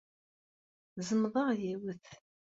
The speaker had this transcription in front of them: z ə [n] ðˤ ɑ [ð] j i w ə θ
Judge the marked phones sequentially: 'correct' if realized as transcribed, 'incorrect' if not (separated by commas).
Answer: incorrect, incorrect